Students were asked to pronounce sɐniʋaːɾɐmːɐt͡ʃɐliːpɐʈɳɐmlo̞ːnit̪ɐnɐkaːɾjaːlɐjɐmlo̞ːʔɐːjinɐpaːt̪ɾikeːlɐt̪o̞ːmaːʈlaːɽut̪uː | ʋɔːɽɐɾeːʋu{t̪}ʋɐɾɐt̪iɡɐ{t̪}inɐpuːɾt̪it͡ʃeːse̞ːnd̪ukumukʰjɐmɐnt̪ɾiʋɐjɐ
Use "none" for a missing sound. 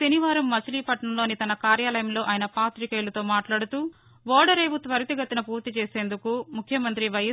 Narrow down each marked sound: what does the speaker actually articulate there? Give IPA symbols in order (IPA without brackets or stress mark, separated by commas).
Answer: t̪, t̪